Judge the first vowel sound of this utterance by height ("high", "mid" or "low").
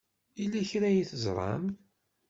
high